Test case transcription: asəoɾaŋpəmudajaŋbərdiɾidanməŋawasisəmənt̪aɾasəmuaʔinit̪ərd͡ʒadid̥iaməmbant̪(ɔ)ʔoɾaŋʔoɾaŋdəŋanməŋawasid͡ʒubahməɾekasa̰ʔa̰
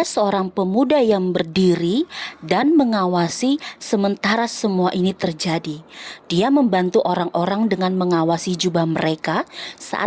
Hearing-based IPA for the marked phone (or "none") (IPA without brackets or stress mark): u